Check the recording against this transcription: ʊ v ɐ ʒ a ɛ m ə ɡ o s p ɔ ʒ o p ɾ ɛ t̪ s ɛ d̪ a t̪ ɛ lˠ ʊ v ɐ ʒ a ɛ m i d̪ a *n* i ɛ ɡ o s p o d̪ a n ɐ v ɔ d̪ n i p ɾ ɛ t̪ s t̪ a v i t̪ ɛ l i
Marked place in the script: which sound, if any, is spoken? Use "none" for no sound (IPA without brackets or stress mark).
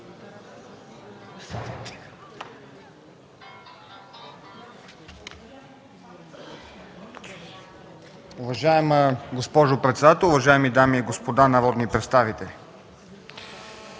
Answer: m